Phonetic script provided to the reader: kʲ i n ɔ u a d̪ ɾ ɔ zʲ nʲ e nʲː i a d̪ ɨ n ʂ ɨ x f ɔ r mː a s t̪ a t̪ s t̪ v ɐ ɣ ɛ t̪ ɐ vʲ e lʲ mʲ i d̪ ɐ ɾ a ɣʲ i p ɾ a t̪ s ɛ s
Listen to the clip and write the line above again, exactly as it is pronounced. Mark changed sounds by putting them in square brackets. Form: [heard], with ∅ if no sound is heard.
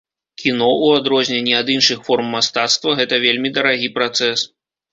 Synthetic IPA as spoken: kʲ i n ɔ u a d̪ ɾ ɔ zʲ nʲ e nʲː i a d̪ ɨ n ʂ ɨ x f ɔ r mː a s t̪ a t̪ s t̪ v ɐ ɣ ɛ t̪ ɐ vʲ e lʲ mʲ i d̪ ɐ ɾ a ɣʲ i p ɾ a t̪ s ɛ s